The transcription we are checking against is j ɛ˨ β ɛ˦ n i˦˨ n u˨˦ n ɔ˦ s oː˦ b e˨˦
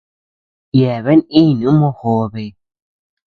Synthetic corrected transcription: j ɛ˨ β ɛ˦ n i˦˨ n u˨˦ m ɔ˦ h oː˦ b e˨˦